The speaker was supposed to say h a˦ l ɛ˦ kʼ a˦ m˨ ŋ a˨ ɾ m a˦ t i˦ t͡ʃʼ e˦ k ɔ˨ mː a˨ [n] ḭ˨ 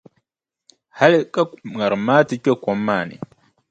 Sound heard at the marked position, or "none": n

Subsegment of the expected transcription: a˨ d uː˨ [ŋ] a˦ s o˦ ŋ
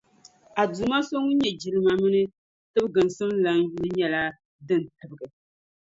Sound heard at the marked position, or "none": m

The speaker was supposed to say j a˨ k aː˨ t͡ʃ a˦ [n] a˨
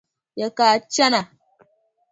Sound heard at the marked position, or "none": n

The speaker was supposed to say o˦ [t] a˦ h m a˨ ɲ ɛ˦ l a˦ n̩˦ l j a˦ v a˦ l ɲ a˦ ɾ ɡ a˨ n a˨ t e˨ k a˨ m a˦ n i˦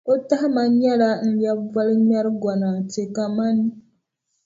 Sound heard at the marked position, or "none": t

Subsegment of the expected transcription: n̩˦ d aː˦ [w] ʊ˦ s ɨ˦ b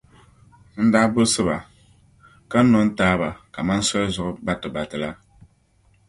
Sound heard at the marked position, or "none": b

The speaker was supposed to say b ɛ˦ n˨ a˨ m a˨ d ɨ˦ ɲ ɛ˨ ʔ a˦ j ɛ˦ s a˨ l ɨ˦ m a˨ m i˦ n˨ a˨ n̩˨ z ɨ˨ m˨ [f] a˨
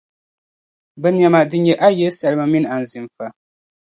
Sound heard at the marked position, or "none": f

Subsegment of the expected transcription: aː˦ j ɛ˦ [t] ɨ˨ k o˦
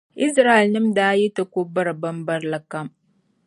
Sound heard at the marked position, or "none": t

